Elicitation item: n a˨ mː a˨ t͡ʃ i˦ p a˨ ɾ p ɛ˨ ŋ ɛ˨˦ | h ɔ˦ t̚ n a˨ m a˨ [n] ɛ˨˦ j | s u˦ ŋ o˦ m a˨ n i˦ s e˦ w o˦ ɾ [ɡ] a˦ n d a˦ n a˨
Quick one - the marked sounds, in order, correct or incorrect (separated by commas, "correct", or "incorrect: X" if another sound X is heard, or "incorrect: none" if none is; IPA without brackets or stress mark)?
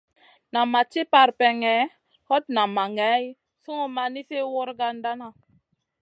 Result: incorrect: ŋ, correct